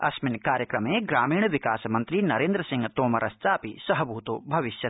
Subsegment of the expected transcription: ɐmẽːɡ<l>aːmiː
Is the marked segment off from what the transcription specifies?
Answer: yes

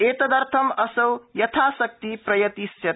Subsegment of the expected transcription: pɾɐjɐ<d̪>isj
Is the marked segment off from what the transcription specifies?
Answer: yes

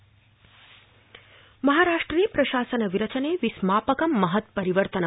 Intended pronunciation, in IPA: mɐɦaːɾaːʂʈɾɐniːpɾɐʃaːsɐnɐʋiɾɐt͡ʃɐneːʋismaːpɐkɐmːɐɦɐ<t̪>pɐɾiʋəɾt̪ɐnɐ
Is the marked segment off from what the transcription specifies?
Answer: no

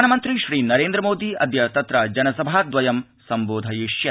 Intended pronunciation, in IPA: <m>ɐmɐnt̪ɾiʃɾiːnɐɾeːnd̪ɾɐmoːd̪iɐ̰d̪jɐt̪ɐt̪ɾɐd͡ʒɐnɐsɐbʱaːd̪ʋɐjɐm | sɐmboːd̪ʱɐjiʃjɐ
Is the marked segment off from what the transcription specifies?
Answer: yes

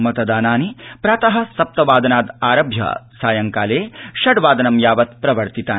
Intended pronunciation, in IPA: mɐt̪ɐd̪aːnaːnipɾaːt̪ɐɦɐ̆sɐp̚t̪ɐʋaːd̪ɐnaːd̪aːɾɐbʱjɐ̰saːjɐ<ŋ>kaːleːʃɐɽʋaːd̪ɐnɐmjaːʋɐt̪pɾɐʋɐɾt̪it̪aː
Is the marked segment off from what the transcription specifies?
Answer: no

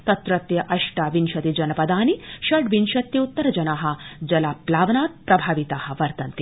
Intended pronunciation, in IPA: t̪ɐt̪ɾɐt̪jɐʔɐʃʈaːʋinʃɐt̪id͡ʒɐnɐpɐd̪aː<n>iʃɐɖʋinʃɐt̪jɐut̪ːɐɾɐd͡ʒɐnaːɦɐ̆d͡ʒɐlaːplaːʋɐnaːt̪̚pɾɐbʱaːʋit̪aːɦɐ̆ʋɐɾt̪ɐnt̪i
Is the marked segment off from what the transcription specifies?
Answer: no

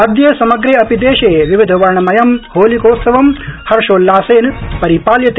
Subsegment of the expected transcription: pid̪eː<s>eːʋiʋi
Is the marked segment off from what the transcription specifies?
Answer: yes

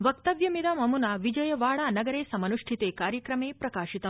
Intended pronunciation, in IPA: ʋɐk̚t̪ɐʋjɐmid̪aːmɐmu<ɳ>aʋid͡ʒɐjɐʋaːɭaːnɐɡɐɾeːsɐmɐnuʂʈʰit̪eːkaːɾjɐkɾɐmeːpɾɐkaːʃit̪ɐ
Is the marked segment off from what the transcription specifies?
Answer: yes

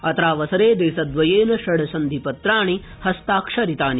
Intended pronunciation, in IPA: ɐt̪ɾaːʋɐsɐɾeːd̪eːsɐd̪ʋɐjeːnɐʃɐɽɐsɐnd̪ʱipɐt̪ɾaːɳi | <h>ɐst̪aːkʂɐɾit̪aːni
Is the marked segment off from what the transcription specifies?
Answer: no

